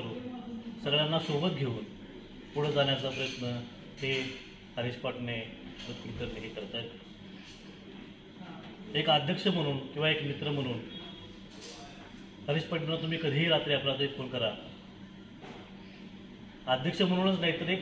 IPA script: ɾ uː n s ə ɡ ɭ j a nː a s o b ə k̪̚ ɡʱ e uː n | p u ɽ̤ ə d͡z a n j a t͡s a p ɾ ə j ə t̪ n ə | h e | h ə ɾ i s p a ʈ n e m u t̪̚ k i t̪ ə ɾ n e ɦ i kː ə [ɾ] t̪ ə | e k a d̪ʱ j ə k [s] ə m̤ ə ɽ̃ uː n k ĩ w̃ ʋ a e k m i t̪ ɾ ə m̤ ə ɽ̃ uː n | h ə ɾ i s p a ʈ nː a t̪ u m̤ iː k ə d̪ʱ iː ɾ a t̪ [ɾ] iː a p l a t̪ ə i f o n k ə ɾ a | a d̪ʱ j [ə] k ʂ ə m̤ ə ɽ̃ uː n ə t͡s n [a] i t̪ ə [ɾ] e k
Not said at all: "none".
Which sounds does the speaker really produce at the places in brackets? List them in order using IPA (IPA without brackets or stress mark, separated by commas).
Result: ɾ, ʂ, ɾ, ə, a, ɾ